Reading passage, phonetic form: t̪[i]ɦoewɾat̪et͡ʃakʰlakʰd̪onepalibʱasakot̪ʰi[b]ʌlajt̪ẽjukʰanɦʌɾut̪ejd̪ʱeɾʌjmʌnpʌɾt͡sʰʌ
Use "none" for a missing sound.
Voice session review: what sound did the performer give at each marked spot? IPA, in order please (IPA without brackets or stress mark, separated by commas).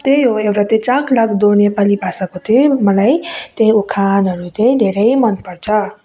e, m